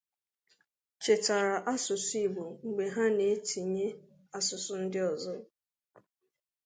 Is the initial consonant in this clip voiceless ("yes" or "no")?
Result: yes